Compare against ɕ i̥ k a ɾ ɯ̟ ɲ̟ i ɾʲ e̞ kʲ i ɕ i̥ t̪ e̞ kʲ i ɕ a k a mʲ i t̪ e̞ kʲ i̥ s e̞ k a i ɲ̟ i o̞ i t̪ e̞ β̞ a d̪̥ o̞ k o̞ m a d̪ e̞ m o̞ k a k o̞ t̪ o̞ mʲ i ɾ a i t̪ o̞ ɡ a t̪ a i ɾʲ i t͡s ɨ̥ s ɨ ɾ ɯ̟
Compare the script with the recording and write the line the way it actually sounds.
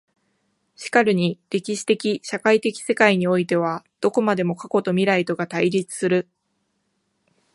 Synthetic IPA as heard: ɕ i̥ k a ɾ ɯ̟ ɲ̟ i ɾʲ e̞ kʲ i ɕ i̥ t̪ e̞ kʲ i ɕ a k a i t̪ e̞ kʲ i̥ s e̞ k a i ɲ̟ i o̞ i t̪ e̞ β̞ a d̪̥ o̞ k o̞ m a d̪ e̞ m o̞ k a k o̞ t̪ o̞ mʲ i ɾ a i t̪ o̞ ɡ a t̪ a i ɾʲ i t͡s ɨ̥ s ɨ ɾ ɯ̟